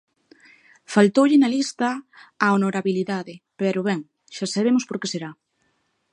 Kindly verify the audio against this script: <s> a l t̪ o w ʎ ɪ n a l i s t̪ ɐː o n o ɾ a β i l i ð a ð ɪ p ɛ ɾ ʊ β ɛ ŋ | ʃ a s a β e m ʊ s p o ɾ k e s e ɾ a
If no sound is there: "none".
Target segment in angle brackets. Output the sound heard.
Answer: f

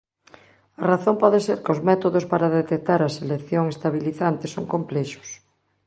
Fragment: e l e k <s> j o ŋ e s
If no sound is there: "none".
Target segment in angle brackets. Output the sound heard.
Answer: θ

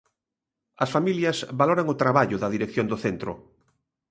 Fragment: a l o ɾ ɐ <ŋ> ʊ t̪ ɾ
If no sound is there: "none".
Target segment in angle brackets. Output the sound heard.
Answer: ŋ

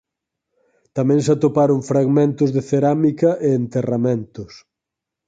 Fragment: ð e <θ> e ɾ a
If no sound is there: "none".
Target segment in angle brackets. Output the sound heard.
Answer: θ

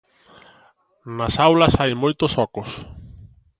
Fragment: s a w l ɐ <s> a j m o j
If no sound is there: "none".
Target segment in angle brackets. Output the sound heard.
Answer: s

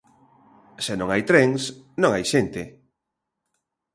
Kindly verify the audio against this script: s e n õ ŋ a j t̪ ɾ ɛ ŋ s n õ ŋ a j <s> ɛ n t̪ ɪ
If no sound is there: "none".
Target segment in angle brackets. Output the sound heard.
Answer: ʃ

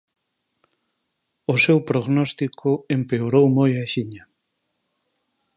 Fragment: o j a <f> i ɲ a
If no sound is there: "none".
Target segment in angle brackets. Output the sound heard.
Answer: ʃ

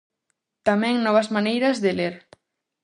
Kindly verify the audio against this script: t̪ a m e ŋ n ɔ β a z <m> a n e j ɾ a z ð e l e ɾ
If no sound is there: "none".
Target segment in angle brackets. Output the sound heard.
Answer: m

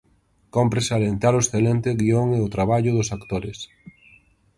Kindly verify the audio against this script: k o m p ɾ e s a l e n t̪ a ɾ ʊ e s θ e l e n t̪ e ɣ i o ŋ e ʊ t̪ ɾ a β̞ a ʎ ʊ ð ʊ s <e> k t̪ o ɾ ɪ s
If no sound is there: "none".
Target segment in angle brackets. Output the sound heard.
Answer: a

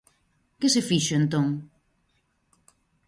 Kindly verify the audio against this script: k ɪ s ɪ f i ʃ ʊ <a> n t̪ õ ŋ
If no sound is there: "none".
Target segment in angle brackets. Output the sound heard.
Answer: e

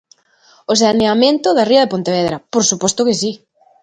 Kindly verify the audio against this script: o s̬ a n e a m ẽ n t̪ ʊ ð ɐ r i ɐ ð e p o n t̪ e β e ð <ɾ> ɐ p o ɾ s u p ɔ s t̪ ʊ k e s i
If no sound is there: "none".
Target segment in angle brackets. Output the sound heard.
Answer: ɾ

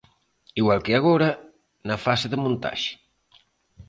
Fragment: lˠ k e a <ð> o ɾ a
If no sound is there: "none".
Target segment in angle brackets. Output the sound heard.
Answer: ɣ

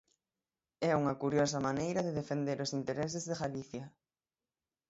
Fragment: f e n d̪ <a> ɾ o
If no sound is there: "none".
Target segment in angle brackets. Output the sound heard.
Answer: e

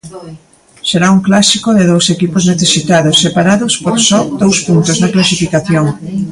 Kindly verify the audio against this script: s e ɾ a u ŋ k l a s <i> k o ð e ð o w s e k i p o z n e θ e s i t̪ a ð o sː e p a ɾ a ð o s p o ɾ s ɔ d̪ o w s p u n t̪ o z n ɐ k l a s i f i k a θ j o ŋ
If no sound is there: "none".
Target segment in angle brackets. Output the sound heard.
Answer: i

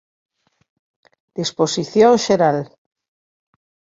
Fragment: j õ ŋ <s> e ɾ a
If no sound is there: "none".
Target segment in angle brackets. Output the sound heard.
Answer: ʃ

